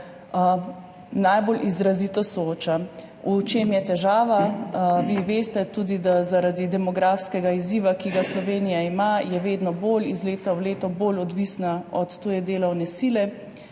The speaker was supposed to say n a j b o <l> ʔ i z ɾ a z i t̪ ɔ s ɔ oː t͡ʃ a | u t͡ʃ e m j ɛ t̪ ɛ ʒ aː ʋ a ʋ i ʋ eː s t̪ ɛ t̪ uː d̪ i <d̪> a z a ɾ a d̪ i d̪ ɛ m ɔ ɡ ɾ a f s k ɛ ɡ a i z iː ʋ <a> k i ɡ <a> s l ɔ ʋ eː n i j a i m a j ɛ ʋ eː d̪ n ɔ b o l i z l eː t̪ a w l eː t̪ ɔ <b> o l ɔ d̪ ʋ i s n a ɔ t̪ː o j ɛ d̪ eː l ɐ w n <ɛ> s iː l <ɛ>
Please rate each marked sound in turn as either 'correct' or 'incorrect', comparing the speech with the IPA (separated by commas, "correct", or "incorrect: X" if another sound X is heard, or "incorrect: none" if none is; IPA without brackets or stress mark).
correct, correct, correct, correct, correct, correct, correct